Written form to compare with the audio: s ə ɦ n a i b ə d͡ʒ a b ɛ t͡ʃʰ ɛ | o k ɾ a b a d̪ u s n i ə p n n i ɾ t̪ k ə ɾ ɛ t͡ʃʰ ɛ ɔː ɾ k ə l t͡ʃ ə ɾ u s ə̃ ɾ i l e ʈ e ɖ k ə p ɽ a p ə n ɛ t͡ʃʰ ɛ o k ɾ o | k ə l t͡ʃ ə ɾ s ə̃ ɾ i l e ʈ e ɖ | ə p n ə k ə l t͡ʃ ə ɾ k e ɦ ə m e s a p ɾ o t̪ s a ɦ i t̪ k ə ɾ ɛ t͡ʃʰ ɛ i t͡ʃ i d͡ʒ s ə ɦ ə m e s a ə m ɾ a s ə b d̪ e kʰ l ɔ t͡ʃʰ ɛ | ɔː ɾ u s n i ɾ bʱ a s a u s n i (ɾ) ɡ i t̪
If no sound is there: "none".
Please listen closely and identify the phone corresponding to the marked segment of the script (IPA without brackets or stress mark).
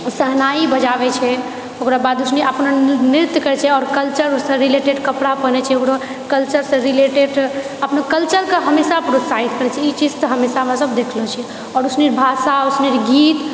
ɾ